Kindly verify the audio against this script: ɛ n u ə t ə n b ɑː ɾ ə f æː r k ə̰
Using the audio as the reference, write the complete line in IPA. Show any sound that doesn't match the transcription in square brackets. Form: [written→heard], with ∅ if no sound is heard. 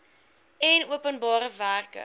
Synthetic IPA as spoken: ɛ n u ə [t→p] ə n b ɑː ɾ ə [f→v] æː r k ə̰